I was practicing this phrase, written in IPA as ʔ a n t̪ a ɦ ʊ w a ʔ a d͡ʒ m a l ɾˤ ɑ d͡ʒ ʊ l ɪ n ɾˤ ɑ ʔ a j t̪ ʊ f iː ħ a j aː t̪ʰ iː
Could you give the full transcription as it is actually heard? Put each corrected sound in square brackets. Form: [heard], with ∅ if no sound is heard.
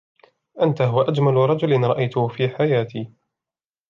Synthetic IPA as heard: ʔ a n t̪ a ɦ ʊ w a ʔ a d͡ʒ m a l ɾˤ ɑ d͡ʒ ʊ l ɪ n ɾˤ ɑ ʔ a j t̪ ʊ f iː ħ a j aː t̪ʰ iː